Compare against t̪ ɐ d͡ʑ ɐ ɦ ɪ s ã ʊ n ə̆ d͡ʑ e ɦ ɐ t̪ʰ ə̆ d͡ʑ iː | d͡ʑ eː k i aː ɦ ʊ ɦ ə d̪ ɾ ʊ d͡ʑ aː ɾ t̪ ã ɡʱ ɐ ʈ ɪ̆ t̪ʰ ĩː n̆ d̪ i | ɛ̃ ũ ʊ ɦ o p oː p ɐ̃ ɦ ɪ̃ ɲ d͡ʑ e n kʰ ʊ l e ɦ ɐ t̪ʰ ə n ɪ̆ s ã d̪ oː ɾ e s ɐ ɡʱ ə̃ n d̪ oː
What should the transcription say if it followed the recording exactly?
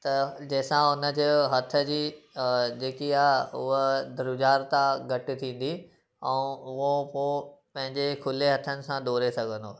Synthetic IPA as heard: t̪ ɐ d͡ʑ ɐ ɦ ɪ s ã ʊ n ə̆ d͡ʑ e ɦ ɐ t̪ʰ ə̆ d͡ʑ iː | d͡ʑ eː k i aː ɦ ʊ ɦ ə d̪ ɾ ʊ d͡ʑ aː ɾ t̪ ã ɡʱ ɐ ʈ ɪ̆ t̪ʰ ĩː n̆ d̪ i | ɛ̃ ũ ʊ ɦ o p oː p ɐ̃ ɦ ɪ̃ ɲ d͡ʑ e kʰ ʊ l e ɦ ɐ t̪ʰ ə n ɪ̆ s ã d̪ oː ɾ e s ɐ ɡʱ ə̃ n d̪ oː